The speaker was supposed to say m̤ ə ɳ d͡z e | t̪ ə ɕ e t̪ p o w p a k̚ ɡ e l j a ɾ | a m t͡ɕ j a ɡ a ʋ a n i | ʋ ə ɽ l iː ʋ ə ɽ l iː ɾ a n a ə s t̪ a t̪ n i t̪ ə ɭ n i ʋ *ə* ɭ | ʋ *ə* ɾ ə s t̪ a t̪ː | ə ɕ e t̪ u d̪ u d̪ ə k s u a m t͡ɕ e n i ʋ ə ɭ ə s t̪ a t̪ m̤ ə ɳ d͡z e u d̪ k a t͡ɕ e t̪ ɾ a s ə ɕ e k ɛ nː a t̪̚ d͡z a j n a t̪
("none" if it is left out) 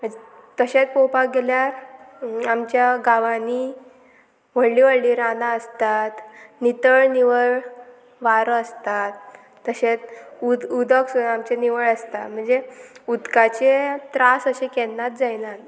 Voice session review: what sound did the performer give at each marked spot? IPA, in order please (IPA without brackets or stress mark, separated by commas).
ə, a